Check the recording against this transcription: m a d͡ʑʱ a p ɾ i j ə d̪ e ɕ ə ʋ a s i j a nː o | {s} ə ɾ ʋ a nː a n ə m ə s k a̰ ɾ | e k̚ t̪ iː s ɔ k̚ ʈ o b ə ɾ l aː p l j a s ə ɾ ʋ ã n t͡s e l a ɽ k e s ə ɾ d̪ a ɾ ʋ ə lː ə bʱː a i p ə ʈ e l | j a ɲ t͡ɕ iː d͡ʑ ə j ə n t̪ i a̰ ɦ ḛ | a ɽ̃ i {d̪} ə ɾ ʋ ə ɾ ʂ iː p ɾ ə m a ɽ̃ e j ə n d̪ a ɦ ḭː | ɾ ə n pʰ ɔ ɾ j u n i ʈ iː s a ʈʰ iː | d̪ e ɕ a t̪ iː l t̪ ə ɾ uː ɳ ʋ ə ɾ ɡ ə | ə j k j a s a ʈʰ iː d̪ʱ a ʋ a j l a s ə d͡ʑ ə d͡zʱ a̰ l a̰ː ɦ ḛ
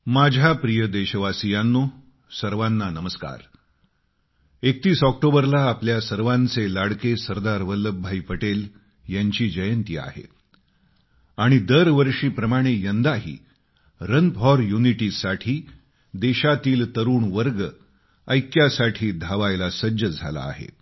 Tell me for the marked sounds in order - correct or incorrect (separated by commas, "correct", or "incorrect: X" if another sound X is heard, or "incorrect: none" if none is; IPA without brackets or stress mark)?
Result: correct, correct